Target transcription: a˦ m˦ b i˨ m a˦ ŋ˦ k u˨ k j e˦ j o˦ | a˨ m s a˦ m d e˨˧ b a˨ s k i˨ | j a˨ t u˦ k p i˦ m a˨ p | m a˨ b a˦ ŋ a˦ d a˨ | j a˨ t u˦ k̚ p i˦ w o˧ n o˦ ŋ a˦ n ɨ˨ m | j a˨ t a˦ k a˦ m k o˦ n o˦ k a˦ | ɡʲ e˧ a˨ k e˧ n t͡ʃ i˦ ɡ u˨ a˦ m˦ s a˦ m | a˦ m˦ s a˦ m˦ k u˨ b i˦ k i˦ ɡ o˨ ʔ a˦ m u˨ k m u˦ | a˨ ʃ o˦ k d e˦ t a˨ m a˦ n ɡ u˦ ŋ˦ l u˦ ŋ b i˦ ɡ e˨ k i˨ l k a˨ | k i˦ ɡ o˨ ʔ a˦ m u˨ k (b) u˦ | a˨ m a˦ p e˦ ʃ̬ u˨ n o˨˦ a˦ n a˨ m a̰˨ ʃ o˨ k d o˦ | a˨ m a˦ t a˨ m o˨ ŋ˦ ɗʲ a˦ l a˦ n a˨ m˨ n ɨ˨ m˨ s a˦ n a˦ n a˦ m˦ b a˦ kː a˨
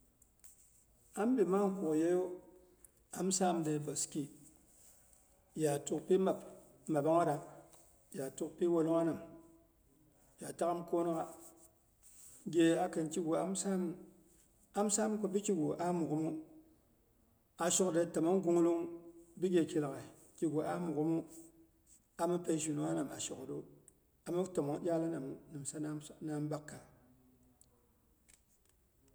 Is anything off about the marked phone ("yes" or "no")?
yes